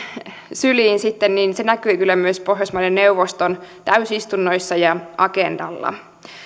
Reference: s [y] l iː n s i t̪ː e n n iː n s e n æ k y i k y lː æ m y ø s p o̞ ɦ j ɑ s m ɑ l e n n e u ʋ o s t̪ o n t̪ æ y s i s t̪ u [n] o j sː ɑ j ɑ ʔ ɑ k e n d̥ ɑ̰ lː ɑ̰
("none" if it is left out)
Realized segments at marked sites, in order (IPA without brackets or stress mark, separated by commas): y, nː